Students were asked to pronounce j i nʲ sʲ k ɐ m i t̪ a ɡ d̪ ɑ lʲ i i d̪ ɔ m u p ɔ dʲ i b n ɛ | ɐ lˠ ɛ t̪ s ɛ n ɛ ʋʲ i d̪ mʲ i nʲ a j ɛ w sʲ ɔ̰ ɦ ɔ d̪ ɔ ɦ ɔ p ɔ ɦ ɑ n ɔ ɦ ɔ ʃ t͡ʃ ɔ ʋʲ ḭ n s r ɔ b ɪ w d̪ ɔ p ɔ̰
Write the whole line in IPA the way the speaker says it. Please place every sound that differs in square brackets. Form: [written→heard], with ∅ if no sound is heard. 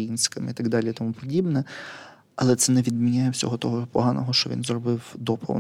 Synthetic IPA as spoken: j i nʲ sʲ k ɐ m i t̪ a ɡ d̪ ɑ lʲ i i [d̪→t̪] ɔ m u p ɔ dʲ i b n ɛ | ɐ lˠ ɛ t̪ s ɛ n ɛ ʋʲ i d̪ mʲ i nʲ a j ɛ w sʲ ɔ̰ ɦ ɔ [d̪→t̪] ɔ ɦ ɔ p ɔ ɦ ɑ n ɔ ɦ ɔ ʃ t͡ʃ ɔ ʋʲ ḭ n [s→z] r ɔ b ɪ w d̪ ɔ p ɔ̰